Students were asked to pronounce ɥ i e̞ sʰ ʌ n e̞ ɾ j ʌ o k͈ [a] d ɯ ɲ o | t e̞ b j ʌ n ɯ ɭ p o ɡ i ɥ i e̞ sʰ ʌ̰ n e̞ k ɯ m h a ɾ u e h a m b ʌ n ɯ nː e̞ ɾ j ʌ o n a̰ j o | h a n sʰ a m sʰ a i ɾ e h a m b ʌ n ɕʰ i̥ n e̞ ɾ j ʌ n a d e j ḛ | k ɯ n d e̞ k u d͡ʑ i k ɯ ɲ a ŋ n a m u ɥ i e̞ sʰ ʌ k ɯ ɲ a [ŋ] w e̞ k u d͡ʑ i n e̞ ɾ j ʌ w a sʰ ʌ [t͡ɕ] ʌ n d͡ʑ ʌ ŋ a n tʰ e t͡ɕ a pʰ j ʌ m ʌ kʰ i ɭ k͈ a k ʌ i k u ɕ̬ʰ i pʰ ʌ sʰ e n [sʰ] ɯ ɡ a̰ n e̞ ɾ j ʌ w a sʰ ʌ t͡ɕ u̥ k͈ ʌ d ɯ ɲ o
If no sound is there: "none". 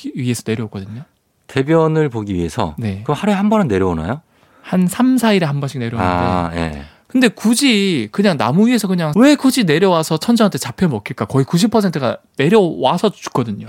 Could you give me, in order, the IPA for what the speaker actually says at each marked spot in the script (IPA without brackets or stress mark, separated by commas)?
ʌ, ŋ, t͡ɕʰ, tʰ